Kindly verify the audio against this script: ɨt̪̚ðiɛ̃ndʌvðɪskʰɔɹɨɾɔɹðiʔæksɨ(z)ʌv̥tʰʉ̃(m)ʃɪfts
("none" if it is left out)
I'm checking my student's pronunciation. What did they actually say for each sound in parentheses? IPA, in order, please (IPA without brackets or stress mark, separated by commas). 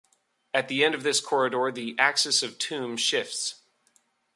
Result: s, m